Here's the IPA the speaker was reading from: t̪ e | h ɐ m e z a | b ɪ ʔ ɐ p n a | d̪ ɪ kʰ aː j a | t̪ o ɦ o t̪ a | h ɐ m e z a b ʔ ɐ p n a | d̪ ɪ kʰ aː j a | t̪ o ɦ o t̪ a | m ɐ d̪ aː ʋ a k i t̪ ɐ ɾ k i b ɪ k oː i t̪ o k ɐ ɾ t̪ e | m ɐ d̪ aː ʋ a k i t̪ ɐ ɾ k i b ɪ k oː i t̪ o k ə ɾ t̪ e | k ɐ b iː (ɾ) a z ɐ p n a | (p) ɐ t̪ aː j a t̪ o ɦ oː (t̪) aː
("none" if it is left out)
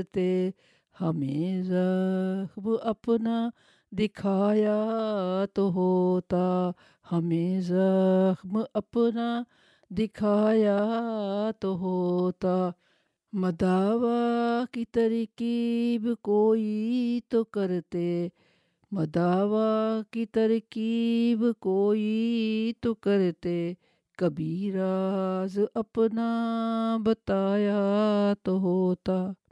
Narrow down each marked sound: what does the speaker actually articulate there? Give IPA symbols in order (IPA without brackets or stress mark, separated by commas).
ɾ, b, t̪